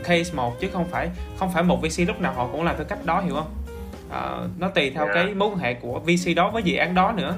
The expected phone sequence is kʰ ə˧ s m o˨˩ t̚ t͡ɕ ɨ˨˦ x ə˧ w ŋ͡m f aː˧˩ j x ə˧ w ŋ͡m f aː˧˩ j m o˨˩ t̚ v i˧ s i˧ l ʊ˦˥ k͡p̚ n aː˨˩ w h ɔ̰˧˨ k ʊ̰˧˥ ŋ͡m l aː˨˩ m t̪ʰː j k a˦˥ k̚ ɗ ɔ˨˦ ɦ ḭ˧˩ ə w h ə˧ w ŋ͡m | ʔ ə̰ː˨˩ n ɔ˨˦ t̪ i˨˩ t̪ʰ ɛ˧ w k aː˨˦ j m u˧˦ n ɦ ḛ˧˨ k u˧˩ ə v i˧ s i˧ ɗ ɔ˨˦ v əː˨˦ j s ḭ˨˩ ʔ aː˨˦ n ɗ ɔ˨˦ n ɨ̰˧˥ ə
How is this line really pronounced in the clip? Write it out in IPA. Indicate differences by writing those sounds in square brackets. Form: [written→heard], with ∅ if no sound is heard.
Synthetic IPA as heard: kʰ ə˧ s m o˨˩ t̚ t͡ɕ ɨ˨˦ x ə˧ w ŋ͡m f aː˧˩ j x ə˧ w ŋ͡m f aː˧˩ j m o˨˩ t̚ v i˧ s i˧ l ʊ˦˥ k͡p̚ n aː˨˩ w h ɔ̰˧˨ k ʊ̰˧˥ ŋ͡m l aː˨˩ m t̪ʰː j k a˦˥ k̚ ɗ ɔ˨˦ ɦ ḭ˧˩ ə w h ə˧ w ŋ͡m | ʔ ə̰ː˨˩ n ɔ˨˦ t̪ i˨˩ t̪ʰ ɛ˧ w k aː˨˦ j m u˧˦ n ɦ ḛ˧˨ k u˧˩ ə v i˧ s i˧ ɗ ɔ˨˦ v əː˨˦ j [s→z] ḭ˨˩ ʔ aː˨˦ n ɗ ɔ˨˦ n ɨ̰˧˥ ə